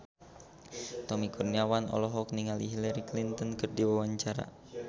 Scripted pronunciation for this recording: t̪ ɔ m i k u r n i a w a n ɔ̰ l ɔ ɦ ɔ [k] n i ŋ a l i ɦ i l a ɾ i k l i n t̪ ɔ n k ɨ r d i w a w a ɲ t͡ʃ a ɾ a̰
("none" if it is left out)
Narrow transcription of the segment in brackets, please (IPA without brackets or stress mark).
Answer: k